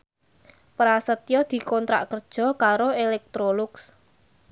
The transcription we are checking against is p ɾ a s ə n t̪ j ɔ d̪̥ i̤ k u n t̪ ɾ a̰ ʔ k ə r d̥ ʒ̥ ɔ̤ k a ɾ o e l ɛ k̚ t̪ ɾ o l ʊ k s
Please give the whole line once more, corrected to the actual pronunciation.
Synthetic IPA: p ɾ a s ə t̪ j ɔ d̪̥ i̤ k ɔ n t̪ ɾ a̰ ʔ k ə r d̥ ʒ̥ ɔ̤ k a ɾ o e l ɛ k̚ t̪ ɾ o l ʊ k s